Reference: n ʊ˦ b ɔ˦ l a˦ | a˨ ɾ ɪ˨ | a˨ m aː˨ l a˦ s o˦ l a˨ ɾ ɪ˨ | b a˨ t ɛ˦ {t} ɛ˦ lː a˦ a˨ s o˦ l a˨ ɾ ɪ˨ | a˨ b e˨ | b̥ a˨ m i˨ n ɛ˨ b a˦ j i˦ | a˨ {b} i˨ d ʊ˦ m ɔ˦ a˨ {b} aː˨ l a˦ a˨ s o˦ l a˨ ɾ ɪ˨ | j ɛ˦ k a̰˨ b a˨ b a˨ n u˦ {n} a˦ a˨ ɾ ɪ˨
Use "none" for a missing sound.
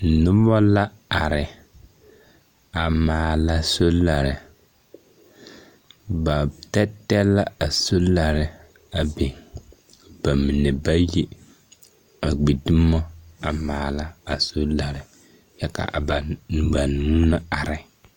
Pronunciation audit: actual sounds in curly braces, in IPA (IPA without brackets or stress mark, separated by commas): t, ɡ͡b, m, n